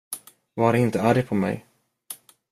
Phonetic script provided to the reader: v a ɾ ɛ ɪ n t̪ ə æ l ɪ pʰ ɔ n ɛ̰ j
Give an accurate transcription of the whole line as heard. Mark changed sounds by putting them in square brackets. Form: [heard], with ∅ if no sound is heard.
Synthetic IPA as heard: v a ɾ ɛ ɪ n t̪ ə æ [ɾ] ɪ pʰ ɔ [m] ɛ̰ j